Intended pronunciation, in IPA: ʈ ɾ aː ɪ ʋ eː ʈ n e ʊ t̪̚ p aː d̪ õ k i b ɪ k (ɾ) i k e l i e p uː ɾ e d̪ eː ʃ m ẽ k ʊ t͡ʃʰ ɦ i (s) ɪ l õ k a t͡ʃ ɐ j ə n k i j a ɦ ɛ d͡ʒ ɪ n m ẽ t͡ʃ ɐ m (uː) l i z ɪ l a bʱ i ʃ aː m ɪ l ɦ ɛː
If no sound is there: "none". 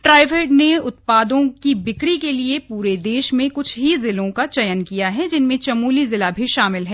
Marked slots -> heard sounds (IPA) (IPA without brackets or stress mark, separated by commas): ɽ, z, uː